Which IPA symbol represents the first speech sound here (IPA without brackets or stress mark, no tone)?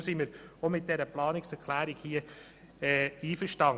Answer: s